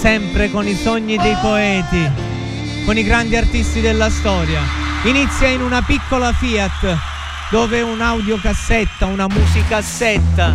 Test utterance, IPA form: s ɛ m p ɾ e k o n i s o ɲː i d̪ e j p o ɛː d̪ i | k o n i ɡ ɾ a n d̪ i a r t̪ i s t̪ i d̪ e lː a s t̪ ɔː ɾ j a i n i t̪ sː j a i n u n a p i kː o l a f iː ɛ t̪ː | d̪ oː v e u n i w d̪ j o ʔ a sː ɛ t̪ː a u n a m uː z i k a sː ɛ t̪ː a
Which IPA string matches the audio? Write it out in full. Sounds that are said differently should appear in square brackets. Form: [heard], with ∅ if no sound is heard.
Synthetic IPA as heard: s ɛ m p ɾ e k o n i s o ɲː i d̪ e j p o ɛː [t̪] i | k o n i ɡ ɾ a n d̪ i a r t̪ i s t̪ i d̪ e lː a s t̪ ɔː ɾ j a i n i t̪ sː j a i n u n a p i kː o l a f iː [a] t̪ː | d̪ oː v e u n [a] w d̪ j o [k] a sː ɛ t̪ː a u n a m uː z i k a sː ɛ t̪ː a